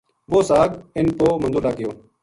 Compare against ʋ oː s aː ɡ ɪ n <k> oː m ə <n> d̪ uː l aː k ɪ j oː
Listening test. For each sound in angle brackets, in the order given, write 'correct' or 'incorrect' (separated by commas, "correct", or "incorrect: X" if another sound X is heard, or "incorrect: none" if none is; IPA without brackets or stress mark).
incorrect: p, correct